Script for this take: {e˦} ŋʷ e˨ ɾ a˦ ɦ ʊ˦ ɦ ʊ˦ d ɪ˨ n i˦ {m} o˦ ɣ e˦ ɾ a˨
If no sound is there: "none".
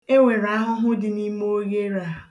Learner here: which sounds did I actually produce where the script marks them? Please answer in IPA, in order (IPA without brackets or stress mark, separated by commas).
e˦, m